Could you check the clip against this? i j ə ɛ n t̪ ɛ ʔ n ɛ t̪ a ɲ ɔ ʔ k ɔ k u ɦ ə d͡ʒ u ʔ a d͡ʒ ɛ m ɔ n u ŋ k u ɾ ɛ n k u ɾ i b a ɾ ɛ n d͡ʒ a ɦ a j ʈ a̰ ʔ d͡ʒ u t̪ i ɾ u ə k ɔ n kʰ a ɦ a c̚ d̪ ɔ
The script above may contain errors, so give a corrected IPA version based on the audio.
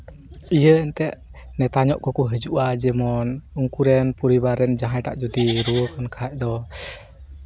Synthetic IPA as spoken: i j ə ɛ n t̪ ɛ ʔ n ɛ t̪ a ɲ ɔ ʔ k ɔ k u ɦ ə d͡ʒ u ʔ a d͡ʒ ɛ m ɔ n u ŋ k u ɾ ɛ n p u ɾ i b a ɾ ɛ n d͡ʒ a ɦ a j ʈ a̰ ʔ d͡ʒ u d̪ i ɾ u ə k ɔ n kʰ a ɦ a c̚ d̪ ɔ